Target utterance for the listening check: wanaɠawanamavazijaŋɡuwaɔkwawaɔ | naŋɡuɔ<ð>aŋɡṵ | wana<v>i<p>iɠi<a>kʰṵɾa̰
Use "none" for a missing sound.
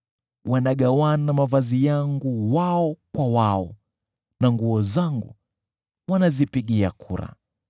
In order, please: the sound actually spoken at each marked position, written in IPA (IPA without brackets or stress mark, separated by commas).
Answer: z, z, p, a